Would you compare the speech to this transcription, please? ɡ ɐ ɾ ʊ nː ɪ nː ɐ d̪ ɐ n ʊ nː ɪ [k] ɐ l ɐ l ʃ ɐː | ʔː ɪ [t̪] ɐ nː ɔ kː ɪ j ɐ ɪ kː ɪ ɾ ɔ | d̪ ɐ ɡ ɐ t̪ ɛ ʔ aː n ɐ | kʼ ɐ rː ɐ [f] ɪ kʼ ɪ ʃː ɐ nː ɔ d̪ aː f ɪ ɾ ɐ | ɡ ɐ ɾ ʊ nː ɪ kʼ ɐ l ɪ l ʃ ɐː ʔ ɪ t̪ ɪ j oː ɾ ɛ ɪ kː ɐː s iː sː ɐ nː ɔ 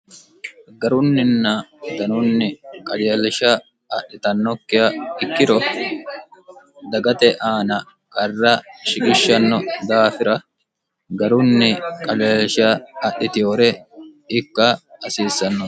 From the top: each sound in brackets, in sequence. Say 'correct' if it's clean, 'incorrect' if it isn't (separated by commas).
incorrect, correct, incorrect